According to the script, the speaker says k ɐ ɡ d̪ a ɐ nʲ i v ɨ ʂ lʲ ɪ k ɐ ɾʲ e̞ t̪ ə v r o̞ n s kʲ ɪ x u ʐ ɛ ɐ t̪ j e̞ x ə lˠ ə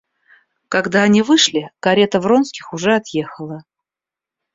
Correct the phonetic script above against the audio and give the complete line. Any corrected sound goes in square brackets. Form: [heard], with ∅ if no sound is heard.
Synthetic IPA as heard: k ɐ ɡ d̪ a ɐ nʲ i v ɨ ʂ lʲ ɪ k ɐ ɾʲ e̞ t̪ ə v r o̞ n s kʲ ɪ x [ʊ] ʐ ɛ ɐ t̪ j e̞ x ə lˠ ə